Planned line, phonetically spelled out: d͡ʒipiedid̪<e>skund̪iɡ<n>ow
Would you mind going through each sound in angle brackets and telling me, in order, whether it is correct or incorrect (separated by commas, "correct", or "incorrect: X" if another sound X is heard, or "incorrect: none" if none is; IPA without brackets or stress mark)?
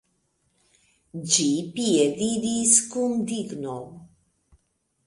incorrect: i, correct